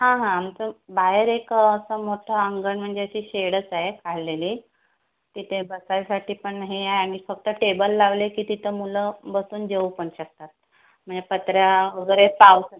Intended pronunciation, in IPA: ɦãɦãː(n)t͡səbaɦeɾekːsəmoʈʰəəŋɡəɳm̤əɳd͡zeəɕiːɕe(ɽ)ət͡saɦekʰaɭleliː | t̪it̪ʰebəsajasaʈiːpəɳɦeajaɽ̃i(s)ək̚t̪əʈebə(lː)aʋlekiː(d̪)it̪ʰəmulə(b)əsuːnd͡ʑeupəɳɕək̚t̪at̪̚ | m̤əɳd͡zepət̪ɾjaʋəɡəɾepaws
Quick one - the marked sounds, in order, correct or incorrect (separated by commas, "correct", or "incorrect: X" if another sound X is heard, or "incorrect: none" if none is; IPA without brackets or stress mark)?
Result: incorrect: m, correct, incorrect: f, correct, incorrect: t̪, correct